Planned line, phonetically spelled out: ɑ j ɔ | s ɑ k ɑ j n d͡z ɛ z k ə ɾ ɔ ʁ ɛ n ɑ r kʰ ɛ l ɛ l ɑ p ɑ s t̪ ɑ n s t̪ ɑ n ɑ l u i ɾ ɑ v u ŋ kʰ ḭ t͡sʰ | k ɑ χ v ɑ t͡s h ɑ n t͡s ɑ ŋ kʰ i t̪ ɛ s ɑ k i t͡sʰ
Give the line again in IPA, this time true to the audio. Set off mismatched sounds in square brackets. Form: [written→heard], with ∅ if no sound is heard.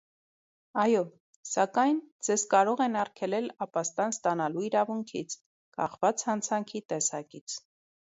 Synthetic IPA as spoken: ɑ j ɔ | s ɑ k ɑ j n d͡z ɛ z k [ə→ɑ] ɾ ɔ ʁ ɛ n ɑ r kʰ ɛ l ɛ l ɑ p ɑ s t̪ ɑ n s t̪ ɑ n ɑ l u i ɾ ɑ v u ŋ kʰ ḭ t͡sʰ | k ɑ χ v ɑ t͡s h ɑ n [t͡s→t͡sʰ] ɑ ŋ kʰ i t̪ ɛ s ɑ k i t͡sʰ